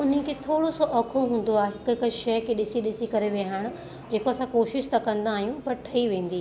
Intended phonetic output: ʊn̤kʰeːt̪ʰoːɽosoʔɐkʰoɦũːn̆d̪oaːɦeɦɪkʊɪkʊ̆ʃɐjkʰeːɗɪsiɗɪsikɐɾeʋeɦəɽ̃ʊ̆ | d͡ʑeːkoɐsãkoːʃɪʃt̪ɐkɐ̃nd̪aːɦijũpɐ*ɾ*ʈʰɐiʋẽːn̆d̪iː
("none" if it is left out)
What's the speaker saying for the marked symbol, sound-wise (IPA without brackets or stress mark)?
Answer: ɾ